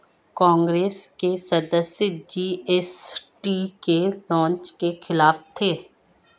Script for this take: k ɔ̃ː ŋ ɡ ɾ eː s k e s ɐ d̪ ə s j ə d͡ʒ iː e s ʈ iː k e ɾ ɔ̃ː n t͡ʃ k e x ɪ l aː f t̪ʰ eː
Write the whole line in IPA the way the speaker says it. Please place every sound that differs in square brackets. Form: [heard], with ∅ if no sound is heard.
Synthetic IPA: k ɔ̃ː ŋ ɡ ɾ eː s k e s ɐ d̪ ə s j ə d͡ʒ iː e s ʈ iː k e [l] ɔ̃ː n t͡ʃ k e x ɪ l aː f t̪ʰ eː